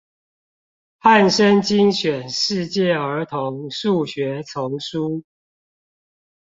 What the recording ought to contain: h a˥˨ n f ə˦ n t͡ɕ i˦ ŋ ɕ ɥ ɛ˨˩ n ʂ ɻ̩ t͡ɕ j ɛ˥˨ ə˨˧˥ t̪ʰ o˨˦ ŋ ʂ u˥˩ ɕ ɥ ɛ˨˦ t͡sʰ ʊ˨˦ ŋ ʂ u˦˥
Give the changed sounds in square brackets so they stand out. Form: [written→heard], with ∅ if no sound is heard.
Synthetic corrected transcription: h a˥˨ n [f→ʂ] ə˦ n t͡ɕ i˦ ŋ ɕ ɥ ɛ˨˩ n ʂ ɻ̩ t͡ɕ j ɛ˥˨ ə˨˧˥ t̪ʰ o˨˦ ŋ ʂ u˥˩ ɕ ɥ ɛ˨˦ t͡sʰ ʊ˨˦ ŋ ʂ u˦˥

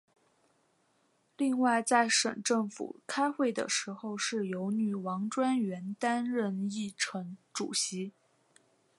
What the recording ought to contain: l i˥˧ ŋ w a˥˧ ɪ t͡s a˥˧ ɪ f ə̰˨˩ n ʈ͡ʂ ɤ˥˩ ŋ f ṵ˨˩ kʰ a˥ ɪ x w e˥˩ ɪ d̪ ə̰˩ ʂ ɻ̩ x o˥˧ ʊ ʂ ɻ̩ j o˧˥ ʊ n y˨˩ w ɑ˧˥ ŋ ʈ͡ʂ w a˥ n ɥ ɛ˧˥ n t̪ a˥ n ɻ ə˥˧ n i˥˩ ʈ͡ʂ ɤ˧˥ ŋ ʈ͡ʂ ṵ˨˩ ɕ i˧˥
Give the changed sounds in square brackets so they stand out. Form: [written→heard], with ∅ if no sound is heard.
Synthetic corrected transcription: l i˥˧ ŋ w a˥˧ ɪ t͡s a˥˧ ɪ [f→ʂ] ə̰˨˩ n ʈ͡ʂ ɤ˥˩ ŋ f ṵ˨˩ kʰ a˥ ɪ x w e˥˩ ɪ d̪ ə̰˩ ʂ ɻ̩ x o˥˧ ʊ ʂ ɻ̩ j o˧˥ ʊ n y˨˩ w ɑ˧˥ ŋ ʈ͡ʂ w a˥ n ɥ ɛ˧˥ n t̪ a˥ n ɻ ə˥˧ n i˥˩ [ʈ͡ʂ→ʈ͡ʂʰ] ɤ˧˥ ŋ ʈ͡ʂ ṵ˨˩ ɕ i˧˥

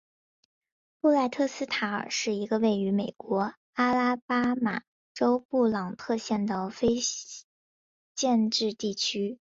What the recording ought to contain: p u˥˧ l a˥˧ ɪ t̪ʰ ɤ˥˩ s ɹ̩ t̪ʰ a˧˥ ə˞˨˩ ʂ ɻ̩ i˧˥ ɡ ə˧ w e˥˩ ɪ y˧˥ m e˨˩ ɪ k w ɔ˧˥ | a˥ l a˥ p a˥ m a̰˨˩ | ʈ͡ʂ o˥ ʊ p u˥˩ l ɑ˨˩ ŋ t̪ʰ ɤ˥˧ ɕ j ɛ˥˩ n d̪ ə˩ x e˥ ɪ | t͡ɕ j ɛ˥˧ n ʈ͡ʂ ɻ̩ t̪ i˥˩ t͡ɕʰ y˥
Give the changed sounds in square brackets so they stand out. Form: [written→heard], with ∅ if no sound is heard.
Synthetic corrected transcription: p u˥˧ l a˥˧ ɪ t̪ʰ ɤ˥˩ s ɹ̩ t̪ʰ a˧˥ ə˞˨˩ ʂ ɻ̩ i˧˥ ɡ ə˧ w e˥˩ ɪ y˧˥ m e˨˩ ɪ k w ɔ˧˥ | a˥ l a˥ p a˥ m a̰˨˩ | ʈ͡ʂ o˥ ʊ p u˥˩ l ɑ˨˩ ŋ t̪ʰ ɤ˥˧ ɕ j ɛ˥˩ n d̪ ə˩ [x→f] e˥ ɪ | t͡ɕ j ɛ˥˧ n ʈ͡ʂ ɻ̩ t̪ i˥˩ t͡ɕʰ y˥

